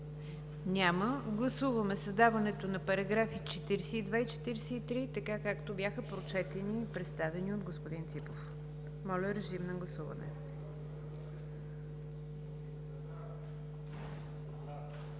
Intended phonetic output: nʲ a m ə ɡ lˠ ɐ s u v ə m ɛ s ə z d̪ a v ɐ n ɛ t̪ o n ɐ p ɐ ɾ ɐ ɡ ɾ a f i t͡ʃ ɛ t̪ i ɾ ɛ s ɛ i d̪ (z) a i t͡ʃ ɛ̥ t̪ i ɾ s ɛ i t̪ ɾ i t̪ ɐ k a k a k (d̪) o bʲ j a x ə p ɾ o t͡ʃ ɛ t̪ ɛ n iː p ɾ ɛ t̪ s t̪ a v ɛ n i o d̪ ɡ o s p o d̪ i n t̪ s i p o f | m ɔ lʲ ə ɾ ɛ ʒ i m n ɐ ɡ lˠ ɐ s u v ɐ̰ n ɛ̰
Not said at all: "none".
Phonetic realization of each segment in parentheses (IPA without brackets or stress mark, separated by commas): v, t̪